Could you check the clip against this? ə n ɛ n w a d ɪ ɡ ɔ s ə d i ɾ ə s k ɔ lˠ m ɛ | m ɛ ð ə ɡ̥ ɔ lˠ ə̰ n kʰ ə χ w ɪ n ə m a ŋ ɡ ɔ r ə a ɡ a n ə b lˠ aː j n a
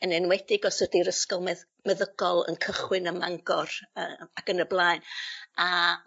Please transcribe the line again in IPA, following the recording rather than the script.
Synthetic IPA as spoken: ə n ɛ n w ɛ d ɪ ɡ ɔ s ə d i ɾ ə s k ɔ lˠ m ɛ | m ɛ ð ə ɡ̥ ɔ lˠ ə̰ n kʰ ə χ w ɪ n ə m a ŋ ɡ ɔ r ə a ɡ ə n ə b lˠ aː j n a